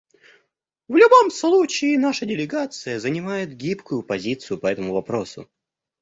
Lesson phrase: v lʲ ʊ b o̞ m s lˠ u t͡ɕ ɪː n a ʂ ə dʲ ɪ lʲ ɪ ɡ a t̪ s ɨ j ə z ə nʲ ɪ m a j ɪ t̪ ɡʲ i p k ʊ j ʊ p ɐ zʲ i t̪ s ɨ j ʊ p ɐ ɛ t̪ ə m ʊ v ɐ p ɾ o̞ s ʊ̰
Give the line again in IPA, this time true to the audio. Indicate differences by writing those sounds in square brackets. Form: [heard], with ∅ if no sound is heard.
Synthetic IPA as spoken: v lʲ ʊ b o̞ m s lˠ u t͡ɕ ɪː n a ʂ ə dʲ ɪ lʲ ɪ ɡ a t̪ s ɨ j ə z ə nʲ ɪ m a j ɪ t̪ ɡʲ i p k ʊ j ʊ p ɐ zʲ i t̪ s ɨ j ʊ p ɐ ɛ t̪ ə m ʊ v ɐ p ɾ o̞ s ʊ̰